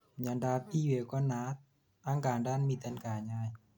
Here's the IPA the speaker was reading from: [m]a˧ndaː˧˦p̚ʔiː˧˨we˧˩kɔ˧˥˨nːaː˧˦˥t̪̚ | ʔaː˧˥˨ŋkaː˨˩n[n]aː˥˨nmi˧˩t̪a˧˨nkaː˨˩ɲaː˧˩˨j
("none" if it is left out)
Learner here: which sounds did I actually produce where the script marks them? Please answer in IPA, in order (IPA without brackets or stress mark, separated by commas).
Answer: ɲ, d